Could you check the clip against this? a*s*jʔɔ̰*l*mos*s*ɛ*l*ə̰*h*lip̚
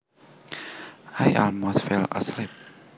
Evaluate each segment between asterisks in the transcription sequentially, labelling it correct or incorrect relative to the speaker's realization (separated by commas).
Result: incorrect, correct, incorrect, correct, incorrect